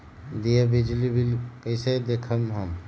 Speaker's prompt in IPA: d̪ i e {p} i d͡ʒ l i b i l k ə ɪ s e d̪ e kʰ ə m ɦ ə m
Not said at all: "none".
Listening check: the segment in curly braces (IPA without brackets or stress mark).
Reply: b